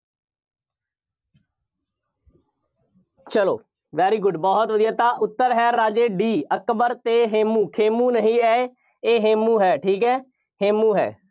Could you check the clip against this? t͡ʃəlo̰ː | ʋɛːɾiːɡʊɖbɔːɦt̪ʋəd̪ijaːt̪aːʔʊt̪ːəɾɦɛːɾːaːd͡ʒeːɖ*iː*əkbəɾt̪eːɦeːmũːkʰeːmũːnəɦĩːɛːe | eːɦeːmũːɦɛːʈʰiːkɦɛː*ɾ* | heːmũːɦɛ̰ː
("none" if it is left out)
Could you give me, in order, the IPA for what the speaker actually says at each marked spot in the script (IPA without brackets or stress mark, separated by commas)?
iː, none